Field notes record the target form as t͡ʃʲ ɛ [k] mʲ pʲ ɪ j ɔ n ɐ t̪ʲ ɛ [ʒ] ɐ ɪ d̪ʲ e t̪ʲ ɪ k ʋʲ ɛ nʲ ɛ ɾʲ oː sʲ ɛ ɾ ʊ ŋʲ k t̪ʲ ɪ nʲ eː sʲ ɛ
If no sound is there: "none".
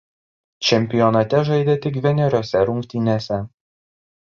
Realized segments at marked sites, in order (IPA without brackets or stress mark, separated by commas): none, ʒ